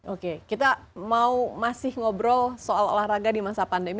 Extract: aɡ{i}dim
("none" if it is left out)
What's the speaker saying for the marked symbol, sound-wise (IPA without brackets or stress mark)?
a